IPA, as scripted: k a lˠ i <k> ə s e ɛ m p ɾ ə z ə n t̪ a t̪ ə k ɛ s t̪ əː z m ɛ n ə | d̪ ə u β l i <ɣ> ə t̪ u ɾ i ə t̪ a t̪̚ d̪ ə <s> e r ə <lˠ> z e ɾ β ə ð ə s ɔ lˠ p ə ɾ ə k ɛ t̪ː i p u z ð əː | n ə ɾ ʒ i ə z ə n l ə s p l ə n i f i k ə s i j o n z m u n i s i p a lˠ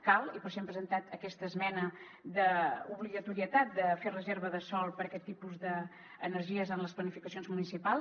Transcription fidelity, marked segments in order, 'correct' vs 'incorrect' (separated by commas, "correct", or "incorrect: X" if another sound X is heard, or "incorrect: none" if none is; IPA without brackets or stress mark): incorrect: p, correct, incorrect: f, incorrect: none